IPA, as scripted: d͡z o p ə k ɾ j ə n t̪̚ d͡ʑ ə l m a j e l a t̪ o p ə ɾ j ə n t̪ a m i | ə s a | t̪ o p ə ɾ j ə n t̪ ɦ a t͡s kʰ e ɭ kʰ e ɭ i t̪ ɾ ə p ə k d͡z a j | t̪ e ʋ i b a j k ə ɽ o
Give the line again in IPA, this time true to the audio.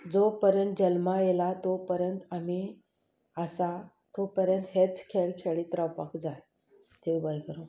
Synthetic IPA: d͡z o p ə ɾ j ə n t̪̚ d͡ʑ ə l m a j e l a t̪ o p ə ɾ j ə n t̪ a m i | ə s a | t̪ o p ə ɾ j ə n t̪ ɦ e t͡s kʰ e ɭ kʰ e ɭ i t̪ ɾ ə p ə k d͡z a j | t̪ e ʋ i b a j k ə ɾ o